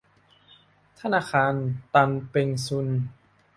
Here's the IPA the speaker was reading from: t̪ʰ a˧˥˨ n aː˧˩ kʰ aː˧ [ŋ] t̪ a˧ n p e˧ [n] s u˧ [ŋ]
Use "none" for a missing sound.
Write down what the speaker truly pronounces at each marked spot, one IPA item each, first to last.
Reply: n, ŋ, n

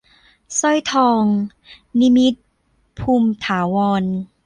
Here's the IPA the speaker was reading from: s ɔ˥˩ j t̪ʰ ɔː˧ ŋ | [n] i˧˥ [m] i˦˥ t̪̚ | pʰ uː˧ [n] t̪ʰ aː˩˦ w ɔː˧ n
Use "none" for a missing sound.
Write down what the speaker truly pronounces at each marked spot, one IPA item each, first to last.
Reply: n, m, m

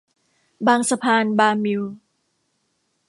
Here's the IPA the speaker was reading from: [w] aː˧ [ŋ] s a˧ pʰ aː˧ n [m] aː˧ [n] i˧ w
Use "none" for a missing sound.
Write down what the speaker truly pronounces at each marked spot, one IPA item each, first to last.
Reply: b, ŋ, b, m

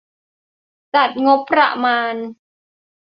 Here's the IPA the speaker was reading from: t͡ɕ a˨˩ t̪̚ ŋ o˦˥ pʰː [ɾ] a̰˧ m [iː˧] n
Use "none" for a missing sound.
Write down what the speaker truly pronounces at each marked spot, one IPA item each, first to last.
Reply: ɾ, aː˧

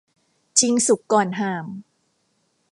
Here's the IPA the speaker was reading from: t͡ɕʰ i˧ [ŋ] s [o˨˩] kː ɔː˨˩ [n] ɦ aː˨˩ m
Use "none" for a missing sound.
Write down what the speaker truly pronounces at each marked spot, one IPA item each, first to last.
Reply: ŋ, u˨˩, n

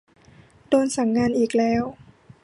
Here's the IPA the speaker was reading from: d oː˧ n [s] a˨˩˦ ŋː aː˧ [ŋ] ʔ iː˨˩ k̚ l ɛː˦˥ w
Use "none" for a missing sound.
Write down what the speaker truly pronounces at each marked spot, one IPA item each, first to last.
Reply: s, n

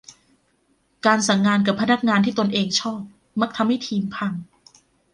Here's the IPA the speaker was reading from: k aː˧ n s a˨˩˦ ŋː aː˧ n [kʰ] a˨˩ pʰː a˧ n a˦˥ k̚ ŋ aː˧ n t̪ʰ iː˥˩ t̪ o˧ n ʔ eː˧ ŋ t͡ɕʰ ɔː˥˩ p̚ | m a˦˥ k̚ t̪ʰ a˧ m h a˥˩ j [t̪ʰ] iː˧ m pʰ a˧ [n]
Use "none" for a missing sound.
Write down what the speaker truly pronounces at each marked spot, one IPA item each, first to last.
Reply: k, t̪ʰ, ŋ

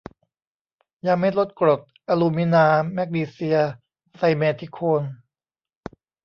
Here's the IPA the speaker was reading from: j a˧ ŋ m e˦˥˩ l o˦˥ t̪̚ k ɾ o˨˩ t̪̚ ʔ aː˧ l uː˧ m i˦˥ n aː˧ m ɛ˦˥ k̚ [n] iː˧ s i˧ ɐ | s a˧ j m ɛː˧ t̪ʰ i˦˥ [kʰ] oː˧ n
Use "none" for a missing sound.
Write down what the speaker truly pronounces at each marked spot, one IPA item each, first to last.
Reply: n, kʰ

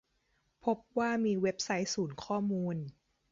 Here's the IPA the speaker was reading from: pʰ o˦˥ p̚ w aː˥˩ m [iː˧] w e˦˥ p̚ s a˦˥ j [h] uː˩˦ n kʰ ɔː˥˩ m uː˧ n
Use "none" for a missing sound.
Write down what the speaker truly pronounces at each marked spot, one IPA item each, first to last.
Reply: iː˧, s

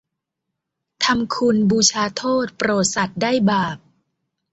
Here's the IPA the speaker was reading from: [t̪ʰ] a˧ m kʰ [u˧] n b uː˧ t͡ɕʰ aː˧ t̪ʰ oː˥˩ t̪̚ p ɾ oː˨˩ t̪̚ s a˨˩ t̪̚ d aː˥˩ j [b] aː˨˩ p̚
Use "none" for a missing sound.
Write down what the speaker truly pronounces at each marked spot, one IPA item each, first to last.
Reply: t̪ʰ, u˧, b

